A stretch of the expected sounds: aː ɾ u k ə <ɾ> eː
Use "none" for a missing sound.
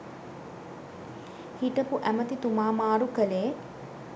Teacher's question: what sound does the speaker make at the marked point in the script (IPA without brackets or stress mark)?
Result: l